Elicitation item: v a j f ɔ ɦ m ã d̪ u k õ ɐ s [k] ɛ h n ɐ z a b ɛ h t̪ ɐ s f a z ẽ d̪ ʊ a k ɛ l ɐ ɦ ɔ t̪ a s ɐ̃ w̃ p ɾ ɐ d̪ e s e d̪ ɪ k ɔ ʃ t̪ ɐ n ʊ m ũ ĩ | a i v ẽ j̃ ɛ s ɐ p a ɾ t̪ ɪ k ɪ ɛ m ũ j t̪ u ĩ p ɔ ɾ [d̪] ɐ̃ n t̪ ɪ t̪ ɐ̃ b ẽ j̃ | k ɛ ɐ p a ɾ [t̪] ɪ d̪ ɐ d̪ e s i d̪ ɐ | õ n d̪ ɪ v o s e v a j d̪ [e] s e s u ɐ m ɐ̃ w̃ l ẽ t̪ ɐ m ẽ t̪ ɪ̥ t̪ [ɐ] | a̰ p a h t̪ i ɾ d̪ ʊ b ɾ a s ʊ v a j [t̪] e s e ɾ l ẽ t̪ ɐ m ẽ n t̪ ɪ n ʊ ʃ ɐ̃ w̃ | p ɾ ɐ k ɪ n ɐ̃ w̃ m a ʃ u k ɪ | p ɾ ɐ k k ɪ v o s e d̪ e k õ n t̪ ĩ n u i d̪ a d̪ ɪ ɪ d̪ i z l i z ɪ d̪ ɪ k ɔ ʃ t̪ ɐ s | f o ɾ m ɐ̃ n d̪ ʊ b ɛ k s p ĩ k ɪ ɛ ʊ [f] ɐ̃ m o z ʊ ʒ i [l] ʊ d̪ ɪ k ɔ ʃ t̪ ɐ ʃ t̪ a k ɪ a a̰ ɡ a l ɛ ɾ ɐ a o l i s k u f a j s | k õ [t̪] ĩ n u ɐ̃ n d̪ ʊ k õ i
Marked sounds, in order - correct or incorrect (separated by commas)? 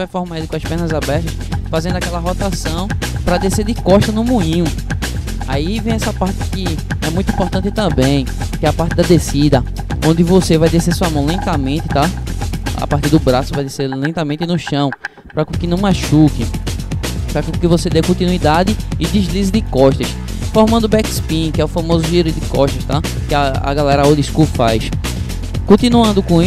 incorrect, incorrect, correct, correct, incorrect, incorrect, correct, incorrect, correct